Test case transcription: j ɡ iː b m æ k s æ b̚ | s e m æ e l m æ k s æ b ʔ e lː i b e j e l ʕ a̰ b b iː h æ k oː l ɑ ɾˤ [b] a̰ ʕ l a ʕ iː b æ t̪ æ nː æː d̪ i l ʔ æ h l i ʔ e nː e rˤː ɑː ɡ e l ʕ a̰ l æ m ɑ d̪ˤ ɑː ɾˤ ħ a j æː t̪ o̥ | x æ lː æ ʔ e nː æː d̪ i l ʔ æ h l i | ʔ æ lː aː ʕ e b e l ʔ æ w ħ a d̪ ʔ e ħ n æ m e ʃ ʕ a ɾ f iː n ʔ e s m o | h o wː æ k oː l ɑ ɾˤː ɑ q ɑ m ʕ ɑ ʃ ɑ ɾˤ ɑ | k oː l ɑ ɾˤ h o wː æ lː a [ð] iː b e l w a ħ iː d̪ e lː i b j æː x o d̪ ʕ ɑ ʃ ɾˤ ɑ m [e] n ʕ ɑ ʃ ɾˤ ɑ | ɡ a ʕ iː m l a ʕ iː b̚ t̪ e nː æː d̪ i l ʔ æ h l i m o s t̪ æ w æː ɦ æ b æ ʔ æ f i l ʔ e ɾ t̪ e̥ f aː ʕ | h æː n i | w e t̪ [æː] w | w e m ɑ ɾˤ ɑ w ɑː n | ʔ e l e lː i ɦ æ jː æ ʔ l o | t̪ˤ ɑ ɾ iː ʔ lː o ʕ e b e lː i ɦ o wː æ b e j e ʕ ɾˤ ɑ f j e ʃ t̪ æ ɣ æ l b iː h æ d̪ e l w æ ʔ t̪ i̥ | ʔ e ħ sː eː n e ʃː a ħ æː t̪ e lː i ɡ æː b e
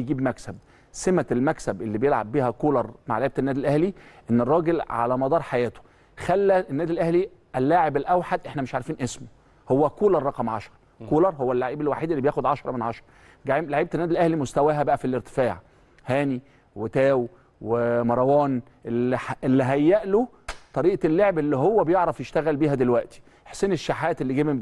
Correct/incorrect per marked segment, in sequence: incorrect, incorrect, correct, correct

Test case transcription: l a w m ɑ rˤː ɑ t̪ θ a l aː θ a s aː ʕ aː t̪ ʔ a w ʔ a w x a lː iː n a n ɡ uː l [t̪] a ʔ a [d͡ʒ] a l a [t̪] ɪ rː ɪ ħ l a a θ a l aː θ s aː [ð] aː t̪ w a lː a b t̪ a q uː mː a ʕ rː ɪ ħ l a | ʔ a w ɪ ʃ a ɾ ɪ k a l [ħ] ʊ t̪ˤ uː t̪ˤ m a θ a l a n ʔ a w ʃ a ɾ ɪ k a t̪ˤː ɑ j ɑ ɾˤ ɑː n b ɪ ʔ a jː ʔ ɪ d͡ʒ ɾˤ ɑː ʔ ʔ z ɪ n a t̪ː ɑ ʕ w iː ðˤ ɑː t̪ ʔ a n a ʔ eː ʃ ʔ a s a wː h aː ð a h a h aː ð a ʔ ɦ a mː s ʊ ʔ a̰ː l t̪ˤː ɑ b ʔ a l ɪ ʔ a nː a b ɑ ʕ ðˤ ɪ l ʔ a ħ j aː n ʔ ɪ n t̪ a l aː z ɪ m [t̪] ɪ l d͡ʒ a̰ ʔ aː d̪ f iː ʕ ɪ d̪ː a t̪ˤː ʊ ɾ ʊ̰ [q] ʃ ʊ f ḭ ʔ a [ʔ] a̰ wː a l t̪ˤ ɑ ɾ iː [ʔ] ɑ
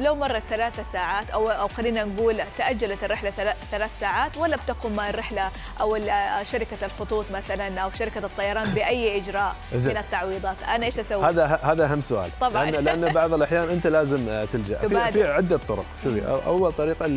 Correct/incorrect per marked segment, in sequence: correct, incorrect, correct, incorrect, incorrect, correct, correct, correct, incorrect

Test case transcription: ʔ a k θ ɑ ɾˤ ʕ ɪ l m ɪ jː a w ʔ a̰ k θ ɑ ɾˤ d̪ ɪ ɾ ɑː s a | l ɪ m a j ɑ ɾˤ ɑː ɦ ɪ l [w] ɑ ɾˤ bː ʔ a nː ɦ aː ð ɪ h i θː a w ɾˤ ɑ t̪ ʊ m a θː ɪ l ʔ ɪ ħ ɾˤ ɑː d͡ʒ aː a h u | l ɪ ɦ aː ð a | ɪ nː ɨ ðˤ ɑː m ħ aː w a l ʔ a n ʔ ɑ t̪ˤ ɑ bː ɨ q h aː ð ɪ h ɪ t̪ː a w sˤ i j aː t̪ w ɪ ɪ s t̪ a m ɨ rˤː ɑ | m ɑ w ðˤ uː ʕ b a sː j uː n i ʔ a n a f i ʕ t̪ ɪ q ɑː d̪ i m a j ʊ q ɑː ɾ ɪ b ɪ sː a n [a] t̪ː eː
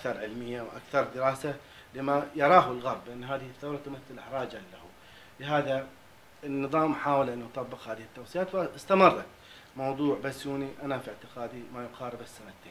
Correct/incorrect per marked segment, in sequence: incorrect, correct

